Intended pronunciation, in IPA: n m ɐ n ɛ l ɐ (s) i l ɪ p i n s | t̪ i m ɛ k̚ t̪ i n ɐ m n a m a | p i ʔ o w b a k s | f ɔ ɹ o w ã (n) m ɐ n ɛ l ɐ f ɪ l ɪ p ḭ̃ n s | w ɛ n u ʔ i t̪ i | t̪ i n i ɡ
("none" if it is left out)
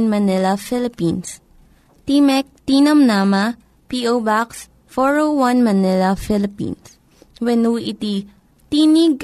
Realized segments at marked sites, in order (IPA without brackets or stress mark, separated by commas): f, n